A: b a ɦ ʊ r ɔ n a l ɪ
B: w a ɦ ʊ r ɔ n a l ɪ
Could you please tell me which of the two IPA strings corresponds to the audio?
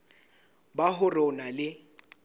A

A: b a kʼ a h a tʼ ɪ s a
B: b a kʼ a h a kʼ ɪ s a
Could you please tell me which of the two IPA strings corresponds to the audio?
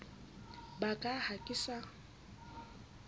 B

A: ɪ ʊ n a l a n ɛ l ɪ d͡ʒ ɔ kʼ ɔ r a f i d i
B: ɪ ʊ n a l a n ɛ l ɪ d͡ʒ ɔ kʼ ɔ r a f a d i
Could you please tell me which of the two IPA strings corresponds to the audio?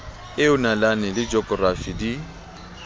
A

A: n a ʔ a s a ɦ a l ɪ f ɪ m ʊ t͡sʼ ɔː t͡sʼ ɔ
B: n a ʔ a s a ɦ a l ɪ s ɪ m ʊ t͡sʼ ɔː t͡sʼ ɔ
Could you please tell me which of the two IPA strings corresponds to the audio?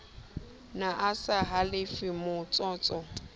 A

